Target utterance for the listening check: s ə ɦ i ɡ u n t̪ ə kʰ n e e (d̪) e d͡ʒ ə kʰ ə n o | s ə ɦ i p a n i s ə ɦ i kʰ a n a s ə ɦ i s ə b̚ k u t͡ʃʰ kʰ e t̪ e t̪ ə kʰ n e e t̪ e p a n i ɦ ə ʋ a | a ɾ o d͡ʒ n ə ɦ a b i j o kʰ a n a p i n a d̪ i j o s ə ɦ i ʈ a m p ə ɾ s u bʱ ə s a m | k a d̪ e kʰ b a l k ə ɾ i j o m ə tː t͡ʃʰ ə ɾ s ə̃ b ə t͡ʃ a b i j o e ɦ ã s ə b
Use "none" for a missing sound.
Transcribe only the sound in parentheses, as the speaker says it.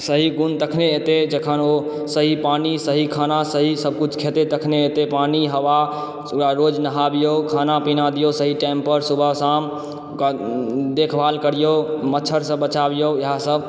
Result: t̪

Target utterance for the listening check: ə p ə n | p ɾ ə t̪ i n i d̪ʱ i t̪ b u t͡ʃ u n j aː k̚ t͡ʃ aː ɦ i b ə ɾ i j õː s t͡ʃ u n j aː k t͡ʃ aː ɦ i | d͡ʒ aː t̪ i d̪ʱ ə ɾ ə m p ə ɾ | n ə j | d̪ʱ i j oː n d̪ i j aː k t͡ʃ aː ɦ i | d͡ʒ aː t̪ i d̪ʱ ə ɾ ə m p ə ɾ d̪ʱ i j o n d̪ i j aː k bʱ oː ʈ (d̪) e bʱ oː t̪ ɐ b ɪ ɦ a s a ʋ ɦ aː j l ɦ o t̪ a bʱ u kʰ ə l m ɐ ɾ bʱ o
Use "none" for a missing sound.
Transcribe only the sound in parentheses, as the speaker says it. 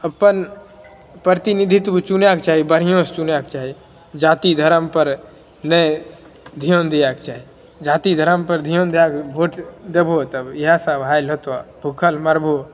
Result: d̪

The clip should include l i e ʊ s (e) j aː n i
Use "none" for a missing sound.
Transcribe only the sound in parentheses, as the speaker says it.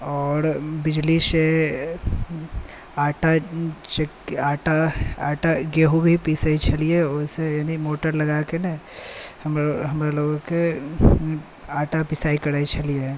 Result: e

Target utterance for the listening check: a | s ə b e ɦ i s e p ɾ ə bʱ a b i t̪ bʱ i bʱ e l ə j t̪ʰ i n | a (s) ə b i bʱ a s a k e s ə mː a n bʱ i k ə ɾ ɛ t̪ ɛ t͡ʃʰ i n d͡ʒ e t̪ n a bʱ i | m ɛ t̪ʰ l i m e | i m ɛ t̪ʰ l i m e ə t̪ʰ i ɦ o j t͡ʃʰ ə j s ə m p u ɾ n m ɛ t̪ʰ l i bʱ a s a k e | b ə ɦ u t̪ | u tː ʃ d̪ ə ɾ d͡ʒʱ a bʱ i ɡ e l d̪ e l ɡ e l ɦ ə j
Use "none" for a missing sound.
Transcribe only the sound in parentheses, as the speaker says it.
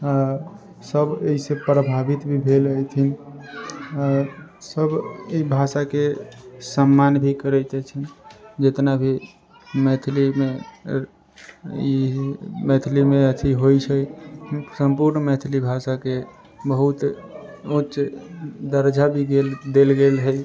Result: s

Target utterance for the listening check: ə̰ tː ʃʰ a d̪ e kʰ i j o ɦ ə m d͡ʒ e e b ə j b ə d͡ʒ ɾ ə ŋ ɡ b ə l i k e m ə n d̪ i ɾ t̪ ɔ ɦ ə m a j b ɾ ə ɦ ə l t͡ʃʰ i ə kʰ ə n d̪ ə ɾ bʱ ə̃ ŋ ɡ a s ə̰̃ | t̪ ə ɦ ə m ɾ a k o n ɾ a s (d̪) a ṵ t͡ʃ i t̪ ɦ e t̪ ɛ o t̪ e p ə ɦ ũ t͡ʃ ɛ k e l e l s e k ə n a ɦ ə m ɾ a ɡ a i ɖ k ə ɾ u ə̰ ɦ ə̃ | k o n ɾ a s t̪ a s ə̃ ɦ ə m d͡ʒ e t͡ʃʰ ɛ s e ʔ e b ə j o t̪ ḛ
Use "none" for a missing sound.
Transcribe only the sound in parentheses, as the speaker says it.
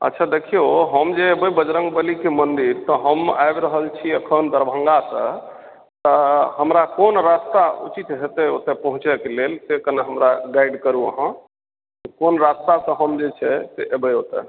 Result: t̪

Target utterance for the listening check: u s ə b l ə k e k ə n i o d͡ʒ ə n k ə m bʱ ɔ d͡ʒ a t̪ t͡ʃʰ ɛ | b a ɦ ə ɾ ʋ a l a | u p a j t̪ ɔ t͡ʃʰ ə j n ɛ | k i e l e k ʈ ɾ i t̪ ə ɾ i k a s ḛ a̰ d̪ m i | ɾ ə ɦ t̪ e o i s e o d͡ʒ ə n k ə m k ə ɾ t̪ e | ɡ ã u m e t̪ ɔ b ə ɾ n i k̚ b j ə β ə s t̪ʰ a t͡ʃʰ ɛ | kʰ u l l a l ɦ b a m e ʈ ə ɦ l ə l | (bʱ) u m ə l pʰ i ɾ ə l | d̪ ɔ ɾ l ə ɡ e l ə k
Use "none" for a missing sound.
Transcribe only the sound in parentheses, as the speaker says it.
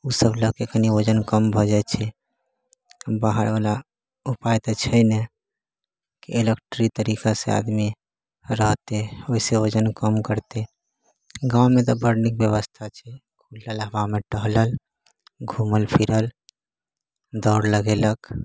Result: ɡʱ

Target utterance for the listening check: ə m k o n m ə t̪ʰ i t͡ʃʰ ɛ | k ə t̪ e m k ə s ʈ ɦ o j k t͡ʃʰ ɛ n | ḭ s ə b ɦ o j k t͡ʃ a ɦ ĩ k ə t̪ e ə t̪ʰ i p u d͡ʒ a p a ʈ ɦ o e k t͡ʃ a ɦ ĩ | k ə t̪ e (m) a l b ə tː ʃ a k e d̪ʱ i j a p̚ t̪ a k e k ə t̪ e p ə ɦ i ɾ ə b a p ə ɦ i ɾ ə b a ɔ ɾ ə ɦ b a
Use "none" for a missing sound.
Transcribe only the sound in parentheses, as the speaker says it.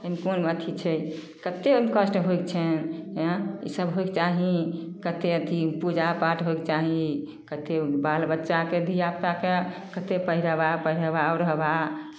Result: b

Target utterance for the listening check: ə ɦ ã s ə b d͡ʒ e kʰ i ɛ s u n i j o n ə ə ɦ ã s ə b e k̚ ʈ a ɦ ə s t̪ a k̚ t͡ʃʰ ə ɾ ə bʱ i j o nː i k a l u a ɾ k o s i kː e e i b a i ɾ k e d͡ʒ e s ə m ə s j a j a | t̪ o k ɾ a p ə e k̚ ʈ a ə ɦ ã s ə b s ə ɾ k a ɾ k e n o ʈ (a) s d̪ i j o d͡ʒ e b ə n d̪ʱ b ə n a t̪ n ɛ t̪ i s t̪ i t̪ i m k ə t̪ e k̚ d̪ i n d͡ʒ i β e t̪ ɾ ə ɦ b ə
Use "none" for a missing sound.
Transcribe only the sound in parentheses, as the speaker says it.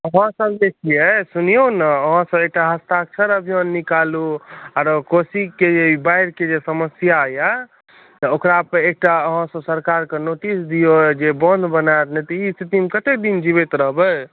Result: i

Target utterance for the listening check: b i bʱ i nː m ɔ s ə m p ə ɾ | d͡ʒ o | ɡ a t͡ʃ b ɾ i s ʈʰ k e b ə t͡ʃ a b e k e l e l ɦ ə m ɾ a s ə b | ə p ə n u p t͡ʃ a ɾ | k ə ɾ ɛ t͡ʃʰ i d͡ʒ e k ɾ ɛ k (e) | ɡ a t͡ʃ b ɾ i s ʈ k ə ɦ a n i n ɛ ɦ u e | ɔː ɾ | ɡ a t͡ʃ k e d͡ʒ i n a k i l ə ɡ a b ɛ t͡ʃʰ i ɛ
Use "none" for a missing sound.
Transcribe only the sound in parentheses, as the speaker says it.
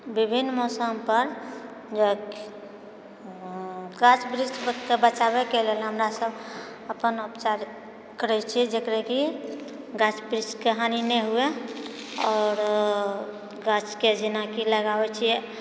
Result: i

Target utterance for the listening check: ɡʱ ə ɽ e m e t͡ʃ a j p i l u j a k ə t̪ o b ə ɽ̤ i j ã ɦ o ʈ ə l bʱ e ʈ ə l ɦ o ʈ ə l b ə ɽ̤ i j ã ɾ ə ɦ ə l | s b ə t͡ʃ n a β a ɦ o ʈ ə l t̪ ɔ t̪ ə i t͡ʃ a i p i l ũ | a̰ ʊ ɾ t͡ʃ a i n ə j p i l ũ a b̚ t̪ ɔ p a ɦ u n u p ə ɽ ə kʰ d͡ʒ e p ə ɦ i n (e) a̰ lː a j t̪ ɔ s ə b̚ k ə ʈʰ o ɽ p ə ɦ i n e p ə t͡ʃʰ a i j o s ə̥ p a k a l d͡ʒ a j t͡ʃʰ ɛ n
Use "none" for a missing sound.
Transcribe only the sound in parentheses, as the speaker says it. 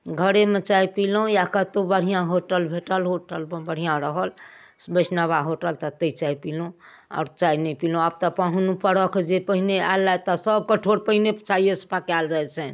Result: e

